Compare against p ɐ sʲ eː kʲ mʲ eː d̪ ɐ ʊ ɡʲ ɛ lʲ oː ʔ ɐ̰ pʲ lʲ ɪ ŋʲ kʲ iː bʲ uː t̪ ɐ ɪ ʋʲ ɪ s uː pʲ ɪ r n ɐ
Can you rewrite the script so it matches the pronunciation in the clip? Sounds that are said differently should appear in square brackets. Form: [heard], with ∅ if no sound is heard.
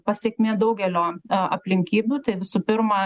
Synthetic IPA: p ɐ sʲ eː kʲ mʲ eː d̪ ɐ ʊ ɡʲ ɛ lʲ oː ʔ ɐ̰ pʲ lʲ ɪ ŋʲ kʲ iː bʲ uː t̪ ɐ ɪ ʋʲ ɪ s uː pʲ ɪ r [m] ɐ